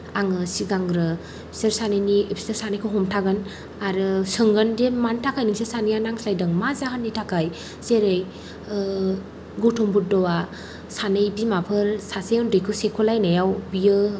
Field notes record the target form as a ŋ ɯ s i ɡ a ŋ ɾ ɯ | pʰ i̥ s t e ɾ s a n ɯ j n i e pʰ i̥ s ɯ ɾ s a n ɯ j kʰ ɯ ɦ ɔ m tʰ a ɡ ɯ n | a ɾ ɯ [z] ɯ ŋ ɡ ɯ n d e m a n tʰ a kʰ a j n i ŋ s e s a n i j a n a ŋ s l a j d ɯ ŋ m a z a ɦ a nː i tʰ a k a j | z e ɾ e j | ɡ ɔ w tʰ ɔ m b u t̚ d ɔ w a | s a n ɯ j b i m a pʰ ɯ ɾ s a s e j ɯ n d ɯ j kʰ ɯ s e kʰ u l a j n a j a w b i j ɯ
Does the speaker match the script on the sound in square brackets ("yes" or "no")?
no